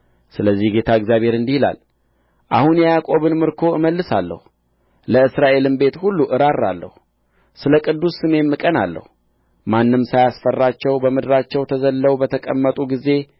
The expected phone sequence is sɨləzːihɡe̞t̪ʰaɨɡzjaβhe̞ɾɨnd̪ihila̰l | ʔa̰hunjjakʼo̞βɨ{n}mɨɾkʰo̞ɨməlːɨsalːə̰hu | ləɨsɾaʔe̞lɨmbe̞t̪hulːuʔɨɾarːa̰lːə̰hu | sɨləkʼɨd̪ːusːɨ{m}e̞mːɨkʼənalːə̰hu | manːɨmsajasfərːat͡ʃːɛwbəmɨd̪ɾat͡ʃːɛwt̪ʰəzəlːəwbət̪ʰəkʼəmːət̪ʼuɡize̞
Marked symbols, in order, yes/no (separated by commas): yes, yes